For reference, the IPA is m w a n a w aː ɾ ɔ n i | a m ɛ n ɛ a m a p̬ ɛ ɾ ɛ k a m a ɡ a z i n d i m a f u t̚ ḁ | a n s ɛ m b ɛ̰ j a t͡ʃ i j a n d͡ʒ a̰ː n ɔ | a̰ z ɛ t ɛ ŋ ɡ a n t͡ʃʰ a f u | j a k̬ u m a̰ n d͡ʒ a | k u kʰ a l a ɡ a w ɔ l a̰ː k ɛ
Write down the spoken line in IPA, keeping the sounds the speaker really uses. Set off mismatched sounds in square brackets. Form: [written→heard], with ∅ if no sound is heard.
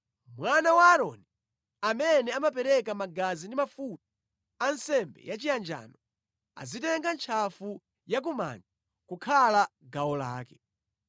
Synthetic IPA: m w a n a w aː ɾ ɔ n i | a m ɛ n ɛ a m a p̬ ɛ ɾ ɛ k a m a ɡ a z i n d i m a f u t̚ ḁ | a n s ɛ m b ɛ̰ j a t͡ʃ i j a n d͡ʒ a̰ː n ɔ | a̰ z [ɛ→i] t ɛ ŋ ɡ a n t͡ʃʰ a f u | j a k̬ u m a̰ n d͡ʒ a | k u kʰ a l a ɡ a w ɔ l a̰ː k ɛ